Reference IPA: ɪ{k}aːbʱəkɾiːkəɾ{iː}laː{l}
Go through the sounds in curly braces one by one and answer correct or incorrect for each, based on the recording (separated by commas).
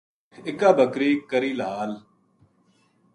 correct, correct, correct